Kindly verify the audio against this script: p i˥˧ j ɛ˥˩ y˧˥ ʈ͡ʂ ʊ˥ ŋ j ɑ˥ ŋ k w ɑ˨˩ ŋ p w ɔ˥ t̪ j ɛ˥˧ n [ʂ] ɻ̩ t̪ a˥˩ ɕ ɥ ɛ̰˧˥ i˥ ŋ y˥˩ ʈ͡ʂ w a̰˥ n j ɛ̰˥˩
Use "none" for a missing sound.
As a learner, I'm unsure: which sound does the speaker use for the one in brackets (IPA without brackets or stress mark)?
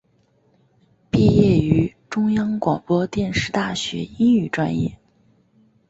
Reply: ʂ